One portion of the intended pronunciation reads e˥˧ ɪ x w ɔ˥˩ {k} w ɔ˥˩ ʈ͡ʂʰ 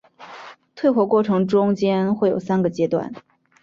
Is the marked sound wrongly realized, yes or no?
no